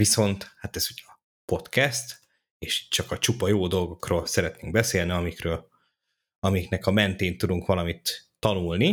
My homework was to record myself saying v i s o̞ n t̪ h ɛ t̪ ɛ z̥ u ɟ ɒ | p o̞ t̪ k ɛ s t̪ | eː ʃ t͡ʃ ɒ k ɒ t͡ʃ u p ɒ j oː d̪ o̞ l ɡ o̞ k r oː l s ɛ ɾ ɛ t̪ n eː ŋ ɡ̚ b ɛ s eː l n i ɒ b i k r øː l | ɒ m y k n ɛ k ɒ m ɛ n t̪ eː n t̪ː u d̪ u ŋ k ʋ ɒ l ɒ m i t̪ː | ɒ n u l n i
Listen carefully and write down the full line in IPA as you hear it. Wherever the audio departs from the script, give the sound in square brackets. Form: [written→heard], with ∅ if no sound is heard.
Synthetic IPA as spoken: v i s o̞ n t̪ h [ɛ→a] t̪ ɛ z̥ u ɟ ɒ | p o̞ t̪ k ɛ s t̪ | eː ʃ t͡ʃ ɒ k ɒ t͡ʃ u p ɒ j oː d̪ o̞ l ɡ o̞ k r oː l s ɛ ɾ ɛ t̪ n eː ŋ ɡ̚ b ɛ s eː l n i ɒ [b→m] i k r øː l | ɒ m [y→i] k n ɛ k ɒ m ɛ n t̪ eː n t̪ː u d̪ u ŋ k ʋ ɒ l ɒ m i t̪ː | ɒ n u l n i